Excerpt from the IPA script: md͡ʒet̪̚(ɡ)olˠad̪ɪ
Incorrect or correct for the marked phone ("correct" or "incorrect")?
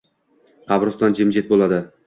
incorrect